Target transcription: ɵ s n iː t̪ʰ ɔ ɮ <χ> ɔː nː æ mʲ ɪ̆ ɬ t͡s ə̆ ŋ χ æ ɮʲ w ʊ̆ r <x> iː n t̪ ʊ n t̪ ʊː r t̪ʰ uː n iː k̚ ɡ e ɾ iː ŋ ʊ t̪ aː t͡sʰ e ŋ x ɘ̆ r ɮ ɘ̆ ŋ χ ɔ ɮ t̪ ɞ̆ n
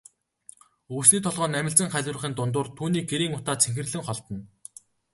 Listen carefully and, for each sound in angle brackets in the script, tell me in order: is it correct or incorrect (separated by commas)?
incorrect, incorrect